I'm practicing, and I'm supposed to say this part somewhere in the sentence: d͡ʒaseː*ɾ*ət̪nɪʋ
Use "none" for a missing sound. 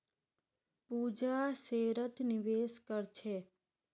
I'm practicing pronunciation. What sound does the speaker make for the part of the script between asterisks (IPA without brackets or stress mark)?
ɾ